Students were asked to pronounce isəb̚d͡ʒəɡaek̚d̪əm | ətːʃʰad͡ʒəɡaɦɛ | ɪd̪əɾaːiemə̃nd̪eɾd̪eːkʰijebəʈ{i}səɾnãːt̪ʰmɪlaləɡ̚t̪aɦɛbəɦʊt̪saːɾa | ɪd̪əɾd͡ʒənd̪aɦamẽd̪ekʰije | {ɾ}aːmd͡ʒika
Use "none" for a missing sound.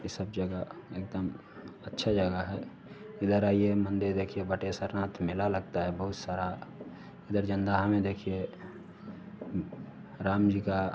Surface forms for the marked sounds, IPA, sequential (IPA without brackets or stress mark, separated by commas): e, ɾ